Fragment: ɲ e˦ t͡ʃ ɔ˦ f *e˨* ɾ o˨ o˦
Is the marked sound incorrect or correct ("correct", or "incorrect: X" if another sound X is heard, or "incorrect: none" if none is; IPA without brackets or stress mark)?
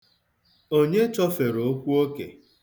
correct